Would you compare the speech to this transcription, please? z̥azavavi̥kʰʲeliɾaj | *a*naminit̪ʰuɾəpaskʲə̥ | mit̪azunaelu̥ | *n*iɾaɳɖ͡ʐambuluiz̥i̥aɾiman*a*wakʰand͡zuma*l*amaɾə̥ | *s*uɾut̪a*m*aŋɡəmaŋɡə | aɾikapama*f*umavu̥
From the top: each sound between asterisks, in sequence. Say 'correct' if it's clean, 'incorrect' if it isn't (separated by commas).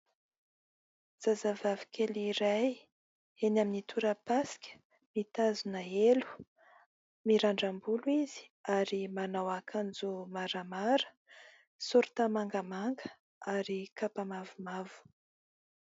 incorrect, incorrect, correct, incorrect, correct, correct, incorrect